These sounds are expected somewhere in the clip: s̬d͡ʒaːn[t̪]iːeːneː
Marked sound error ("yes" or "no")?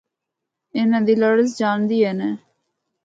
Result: yes